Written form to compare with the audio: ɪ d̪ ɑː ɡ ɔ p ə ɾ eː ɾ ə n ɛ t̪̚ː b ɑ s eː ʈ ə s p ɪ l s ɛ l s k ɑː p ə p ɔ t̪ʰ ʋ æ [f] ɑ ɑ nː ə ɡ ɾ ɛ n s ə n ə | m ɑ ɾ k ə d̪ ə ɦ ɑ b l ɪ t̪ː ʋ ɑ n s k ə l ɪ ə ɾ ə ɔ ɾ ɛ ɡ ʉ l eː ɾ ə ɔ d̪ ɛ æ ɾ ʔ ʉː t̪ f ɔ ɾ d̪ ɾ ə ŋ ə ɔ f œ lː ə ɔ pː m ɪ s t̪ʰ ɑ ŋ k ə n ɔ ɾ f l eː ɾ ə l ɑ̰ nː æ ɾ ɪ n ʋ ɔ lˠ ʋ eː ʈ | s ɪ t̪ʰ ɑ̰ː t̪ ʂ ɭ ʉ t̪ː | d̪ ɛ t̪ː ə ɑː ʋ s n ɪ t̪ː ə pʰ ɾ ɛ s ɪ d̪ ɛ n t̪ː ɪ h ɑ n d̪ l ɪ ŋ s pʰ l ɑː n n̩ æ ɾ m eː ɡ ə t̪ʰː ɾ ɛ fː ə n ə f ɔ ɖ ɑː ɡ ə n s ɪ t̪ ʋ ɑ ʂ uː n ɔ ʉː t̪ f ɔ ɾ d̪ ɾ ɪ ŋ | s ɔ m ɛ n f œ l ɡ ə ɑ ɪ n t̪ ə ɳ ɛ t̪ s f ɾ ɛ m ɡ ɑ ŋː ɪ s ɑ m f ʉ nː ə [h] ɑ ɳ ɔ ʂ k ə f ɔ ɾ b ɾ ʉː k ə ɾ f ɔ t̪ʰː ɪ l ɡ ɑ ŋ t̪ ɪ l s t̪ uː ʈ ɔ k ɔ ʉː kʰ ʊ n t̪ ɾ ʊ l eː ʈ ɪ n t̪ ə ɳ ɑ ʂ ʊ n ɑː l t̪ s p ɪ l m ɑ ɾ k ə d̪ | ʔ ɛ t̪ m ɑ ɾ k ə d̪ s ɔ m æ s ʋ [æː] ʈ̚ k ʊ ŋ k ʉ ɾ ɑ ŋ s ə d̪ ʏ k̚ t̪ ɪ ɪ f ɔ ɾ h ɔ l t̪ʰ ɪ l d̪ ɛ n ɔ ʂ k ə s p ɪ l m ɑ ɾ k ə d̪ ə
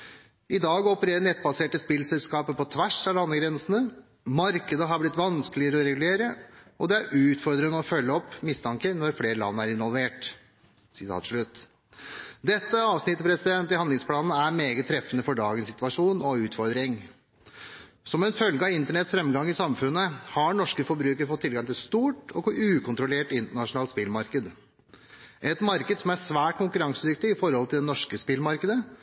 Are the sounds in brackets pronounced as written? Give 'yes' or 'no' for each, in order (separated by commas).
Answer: no, yes, yes